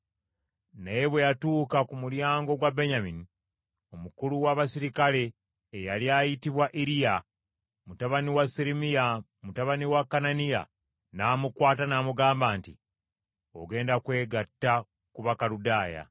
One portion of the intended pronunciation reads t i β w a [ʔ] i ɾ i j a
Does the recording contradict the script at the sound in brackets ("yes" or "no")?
no